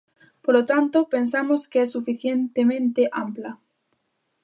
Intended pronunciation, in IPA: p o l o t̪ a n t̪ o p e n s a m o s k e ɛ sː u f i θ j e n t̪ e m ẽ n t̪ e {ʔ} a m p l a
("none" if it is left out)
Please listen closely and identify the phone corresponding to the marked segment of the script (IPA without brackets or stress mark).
ʔ